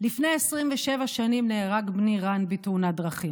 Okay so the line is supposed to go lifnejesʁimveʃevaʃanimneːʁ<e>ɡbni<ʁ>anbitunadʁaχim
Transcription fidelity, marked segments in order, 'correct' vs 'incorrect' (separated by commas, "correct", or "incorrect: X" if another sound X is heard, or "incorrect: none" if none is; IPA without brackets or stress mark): incorrect: a, correct